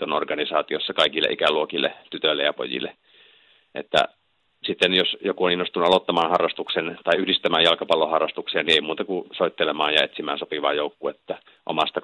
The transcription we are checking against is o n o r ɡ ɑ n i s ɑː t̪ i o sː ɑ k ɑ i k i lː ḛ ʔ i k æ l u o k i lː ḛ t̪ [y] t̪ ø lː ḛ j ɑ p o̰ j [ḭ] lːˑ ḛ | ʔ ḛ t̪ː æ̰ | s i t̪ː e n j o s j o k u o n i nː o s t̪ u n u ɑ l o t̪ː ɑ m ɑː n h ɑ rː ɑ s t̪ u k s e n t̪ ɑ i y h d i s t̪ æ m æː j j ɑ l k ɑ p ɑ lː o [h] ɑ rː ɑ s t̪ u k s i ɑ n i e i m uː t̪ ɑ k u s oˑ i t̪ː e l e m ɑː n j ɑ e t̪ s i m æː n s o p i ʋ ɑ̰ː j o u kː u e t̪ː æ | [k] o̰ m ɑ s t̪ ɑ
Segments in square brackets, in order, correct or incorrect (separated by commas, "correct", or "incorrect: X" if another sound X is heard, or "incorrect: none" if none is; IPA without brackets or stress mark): correct, correct, correct, incorrect: ʔ